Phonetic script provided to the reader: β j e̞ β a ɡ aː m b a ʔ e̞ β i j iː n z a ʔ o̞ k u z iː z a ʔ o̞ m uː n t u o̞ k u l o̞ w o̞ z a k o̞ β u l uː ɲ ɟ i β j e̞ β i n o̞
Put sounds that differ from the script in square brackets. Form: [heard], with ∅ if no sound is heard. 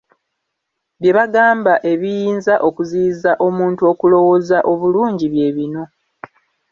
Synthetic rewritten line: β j e̞ β a ɡ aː m b a ʔ e̞ β i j iː n z a ʔ o̞ k u z iː z a ʔ o̞ m uː n t u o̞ k u l o̞ w o̞ z a [ʔ] o̞ β u l uː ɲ ɟ i β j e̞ β i n o̞